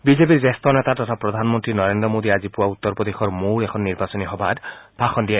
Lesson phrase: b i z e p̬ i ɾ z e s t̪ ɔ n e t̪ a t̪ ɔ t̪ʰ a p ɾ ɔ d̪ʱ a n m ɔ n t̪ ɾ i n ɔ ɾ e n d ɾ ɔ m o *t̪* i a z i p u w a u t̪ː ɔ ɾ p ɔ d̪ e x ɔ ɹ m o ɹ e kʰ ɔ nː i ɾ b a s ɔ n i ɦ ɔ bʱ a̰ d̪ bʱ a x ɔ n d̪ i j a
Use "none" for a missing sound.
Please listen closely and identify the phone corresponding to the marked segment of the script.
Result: d̪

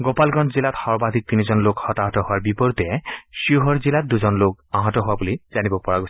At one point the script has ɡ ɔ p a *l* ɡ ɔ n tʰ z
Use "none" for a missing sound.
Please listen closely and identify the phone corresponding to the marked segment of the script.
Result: l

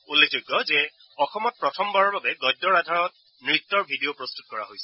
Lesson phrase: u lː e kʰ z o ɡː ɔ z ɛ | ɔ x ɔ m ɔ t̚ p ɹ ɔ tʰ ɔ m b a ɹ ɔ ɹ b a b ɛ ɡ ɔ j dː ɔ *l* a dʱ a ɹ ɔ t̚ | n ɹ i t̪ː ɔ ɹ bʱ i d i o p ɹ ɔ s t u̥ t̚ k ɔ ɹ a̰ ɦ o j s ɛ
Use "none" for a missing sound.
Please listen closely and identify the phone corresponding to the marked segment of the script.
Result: ɹ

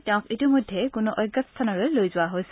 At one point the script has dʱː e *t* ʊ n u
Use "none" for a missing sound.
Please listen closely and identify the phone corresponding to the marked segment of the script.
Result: k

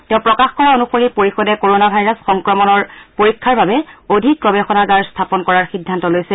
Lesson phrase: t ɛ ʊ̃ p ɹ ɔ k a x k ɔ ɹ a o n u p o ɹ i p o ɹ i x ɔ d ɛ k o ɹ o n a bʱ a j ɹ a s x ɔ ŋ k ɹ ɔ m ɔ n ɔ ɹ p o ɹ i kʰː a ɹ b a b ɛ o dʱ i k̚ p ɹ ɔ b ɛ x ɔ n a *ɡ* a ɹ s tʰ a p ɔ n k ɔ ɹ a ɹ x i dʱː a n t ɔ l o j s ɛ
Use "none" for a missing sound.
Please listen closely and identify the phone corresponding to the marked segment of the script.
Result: ɡ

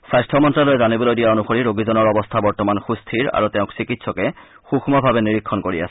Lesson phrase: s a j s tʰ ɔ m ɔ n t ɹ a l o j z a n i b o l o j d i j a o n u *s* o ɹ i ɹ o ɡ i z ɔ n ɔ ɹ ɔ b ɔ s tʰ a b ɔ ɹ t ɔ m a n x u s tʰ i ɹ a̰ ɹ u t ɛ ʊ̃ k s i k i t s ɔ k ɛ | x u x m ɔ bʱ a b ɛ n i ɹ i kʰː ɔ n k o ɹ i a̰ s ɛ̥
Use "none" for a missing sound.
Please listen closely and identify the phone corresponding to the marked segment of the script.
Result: x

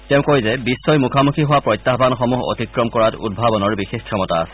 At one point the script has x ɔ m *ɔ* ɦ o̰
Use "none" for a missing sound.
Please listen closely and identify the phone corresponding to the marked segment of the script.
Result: u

